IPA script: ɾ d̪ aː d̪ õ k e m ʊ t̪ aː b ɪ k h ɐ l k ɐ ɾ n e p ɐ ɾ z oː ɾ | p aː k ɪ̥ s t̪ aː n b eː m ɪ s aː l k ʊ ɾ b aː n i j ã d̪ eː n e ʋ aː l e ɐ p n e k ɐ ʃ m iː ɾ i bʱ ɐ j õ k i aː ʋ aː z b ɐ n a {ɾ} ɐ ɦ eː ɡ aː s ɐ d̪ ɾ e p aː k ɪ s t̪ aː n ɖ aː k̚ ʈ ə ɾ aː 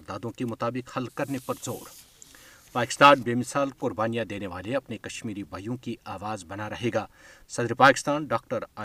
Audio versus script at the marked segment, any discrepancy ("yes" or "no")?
no